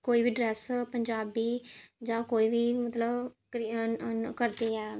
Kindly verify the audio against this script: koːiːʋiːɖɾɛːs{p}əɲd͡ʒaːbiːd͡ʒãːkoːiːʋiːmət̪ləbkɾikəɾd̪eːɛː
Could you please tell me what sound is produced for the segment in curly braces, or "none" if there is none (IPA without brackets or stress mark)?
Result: p